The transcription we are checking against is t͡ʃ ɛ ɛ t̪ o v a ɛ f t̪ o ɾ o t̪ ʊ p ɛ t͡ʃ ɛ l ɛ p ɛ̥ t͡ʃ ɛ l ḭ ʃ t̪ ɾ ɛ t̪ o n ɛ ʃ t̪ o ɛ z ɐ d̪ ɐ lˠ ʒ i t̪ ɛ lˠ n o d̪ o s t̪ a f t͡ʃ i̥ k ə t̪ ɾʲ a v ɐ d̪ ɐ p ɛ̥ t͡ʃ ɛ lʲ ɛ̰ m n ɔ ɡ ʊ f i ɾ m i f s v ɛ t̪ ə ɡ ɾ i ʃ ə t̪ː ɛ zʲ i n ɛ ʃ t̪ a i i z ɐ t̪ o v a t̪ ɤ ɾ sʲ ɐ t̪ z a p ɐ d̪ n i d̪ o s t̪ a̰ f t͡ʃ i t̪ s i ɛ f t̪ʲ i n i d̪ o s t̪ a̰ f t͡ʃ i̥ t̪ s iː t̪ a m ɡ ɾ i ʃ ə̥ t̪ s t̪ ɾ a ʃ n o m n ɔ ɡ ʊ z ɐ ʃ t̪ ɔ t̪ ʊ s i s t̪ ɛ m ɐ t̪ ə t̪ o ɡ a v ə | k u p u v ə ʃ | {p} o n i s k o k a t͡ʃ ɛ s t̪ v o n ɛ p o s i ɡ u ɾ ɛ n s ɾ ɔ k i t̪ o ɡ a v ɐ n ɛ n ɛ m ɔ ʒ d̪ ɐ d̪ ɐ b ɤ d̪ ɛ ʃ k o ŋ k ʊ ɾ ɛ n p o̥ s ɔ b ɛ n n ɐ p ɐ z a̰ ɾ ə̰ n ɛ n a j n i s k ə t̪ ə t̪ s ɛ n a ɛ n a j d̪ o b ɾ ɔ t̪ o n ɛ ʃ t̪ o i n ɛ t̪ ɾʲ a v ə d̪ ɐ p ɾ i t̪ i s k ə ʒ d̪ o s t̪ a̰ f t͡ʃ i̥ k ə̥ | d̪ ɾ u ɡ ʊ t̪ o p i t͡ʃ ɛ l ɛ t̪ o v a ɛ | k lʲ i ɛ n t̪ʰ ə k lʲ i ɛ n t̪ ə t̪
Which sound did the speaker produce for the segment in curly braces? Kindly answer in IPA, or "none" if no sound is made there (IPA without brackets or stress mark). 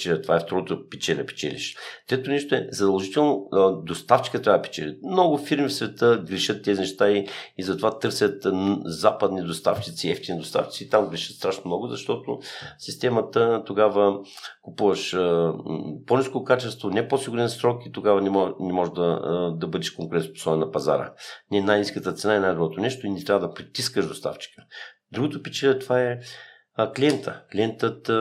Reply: p